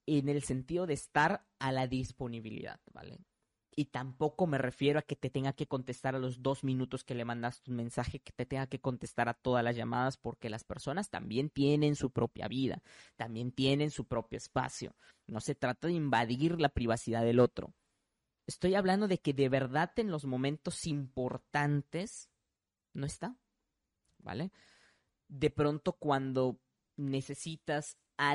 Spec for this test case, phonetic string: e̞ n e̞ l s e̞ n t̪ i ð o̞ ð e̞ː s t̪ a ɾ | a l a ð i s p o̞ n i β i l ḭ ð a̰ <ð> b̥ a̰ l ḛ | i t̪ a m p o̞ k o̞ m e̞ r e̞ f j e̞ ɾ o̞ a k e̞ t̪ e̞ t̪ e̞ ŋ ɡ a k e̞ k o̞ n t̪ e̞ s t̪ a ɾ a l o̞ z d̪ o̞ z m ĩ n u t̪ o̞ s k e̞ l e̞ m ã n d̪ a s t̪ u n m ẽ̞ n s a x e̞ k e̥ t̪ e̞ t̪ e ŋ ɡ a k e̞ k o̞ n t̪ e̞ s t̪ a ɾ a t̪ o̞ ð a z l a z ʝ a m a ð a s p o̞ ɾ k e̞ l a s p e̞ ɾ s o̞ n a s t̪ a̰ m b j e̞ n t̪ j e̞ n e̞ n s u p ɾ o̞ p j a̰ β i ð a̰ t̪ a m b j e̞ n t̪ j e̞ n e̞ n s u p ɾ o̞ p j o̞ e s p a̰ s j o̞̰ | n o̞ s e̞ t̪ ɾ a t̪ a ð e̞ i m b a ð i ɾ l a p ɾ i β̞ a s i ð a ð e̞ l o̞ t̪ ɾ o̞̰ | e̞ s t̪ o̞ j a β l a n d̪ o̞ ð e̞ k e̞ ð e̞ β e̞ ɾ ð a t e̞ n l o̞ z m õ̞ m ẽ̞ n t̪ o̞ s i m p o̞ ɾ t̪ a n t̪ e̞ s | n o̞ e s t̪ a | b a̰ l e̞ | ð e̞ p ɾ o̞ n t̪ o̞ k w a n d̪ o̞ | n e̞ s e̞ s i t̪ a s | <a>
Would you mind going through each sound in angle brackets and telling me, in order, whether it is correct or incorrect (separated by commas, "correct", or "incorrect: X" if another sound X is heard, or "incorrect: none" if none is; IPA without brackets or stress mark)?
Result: correct, correct